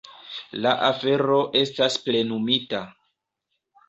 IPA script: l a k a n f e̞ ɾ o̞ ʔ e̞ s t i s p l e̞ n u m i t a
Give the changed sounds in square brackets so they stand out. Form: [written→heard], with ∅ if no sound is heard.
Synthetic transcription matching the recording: l a [k→ʔ] a [n→∅] f e̞ ɾ o̞ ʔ e̞ s t [i→a] s p l e̞ n u m i t a